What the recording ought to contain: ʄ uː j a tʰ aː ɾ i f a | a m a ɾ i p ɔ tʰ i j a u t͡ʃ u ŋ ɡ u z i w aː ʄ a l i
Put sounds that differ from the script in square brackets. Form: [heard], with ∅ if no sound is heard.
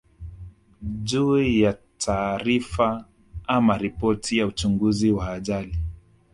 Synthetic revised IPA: ʄ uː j a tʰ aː ɾ i f a | a m a ɾ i p ɔ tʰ i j a u t͡ʃ u ŋ ɡ u z i w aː ʄ a l i